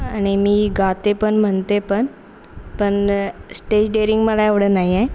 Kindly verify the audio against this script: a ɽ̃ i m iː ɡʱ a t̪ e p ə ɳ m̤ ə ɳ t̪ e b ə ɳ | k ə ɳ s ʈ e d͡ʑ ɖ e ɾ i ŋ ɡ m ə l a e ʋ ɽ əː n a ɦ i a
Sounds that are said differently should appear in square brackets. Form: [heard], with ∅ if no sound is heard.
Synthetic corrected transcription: a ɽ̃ i m iː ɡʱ a t̪ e p ə ɳ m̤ ə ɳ t̪ e [p] ə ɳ | [p] ə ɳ s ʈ e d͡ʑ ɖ e ɾ i ŋ ɡ m ə l a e ʋ ɽ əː n a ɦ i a